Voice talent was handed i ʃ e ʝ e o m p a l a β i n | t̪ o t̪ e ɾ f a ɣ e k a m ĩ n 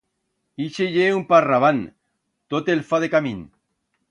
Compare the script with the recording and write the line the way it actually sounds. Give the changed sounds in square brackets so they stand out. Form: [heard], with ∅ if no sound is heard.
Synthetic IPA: i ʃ e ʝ e [u] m p a [r] a β [a] n | t̪ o t̪ e [l] f a [ð] e k a m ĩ n